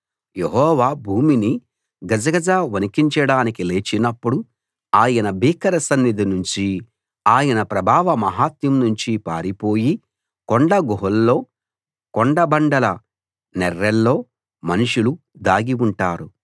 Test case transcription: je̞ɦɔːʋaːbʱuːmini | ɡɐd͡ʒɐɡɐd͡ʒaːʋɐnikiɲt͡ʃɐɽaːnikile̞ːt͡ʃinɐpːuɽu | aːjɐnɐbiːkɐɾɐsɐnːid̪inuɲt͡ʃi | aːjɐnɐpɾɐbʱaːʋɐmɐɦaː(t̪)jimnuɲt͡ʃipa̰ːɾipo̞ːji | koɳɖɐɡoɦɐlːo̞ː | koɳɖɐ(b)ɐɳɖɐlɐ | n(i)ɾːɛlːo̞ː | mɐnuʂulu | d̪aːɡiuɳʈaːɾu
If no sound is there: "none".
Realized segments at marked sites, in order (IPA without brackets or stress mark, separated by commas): t̪, b, ɛ